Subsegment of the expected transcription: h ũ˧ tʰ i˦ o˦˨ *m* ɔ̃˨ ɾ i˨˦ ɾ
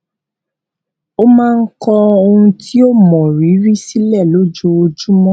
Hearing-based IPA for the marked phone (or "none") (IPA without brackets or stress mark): m